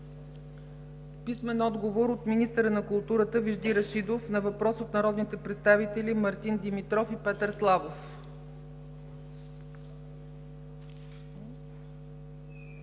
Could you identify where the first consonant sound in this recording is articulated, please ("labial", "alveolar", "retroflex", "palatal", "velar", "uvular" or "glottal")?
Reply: labial